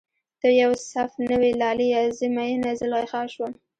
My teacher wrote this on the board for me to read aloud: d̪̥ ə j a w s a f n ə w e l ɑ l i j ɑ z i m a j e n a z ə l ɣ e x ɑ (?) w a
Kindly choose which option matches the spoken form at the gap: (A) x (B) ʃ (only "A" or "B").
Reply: B